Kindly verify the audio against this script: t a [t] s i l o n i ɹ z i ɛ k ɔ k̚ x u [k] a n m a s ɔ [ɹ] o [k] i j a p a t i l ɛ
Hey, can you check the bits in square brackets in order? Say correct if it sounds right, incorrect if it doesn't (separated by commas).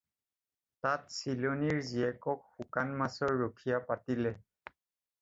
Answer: correct, correct, incorrect, incorrect